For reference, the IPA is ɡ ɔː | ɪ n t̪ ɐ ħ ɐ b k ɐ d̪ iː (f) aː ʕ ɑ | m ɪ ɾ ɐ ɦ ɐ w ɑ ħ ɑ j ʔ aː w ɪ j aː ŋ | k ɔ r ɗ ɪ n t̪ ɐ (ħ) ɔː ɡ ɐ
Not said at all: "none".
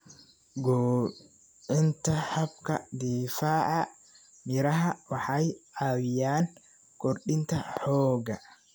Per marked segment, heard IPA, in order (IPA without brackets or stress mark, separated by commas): f, ħ